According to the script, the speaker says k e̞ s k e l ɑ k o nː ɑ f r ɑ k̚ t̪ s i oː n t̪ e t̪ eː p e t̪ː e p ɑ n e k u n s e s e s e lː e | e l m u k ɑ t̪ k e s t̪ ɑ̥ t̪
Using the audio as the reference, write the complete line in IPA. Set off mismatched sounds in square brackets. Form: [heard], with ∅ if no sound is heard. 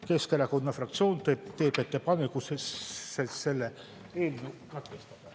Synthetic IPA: k e̞ s k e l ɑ k o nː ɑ f r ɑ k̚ t̪ s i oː n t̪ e t̪ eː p e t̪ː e p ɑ n e k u [∅] s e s e s e lː e | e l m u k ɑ t̪ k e s t̪ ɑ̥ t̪